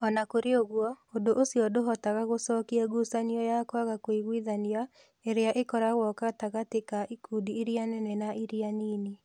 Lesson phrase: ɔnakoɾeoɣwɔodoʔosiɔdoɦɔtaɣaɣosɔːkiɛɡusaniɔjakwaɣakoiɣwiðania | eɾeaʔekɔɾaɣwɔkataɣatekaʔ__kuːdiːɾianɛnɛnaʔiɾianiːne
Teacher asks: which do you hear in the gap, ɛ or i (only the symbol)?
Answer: i